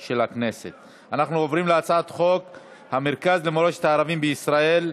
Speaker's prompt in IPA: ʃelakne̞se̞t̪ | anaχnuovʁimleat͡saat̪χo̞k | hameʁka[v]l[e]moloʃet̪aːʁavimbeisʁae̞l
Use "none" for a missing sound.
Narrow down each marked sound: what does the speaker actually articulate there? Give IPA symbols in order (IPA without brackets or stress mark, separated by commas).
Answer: z, e